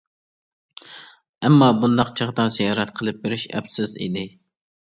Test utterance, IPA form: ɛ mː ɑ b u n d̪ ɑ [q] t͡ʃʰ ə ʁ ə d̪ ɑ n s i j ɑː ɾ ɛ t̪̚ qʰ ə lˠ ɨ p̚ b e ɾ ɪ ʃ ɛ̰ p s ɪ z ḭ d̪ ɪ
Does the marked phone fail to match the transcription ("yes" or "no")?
no